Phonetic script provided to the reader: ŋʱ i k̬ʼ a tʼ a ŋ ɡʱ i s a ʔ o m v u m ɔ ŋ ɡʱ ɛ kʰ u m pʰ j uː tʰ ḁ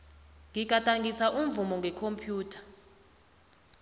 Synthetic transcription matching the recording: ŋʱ i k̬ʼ a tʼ a ŋ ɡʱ i s a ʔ u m v u m ɔ ŋ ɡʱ ɛ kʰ o m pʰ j uː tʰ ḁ